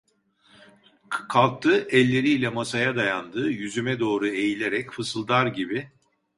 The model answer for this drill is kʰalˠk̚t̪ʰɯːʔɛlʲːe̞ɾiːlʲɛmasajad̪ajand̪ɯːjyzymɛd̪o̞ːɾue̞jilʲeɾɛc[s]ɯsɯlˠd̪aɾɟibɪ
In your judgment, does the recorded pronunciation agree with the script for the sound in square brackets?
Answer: no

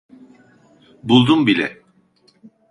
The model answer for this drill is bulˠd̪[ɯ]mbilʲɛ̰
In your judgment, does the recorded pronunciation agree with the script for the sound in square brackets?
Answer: no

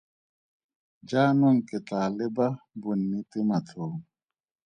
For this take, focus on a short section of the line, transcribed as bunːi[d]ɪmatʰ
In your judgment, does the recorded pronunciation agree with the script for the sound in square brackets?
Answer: no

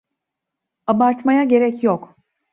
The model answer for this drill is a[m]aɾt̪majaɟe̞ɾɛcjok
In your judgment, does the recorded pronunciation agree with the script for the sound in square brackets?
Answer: no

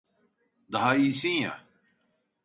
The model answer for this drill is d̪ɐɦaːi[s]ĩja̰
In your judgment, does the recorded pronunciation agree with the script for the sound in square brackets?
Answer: yes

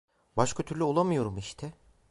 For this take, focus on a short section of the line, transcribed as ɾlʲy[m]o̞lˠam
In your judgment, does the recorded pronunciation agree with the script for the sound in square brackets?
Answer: no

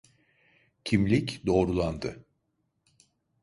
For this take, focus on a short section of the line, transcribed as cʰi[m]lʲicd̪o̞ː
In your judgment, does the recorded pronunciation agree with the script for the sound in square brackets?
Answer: yes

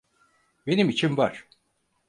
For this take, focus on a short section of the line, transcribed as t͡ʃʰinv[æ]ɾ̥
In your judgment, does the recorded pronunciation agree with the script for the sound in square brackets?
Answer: no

